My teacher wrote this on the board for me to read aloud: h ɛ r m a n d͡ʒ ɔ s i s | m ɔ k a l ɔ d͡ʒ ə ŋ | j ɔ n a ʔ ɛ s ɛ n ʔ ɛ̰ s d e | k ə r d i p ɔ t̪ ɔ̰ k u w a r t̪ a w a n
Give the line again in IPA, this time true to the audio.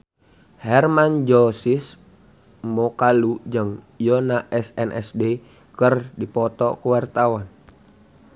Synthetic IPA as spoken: h ɛ r m a n d͡ʒ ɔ s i s | m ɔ k a l u d͡ʒ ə ŋ | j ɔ n a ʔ ɛ s ɛ n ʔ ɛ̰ s d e | k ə r d i p ɔ t̪ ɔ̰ k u w a r t̪ a w a n